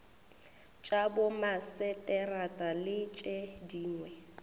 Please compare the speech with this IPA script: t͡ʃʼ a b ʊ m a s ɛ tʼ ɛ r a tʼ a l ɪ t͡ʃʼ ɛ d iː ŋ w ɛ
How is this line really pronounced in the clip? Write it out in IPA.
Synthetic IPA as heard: t͡ʃʼ a b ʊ m a s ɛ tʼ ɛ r a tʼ a l ɪ t͡ʃʼ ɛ d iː ŋ w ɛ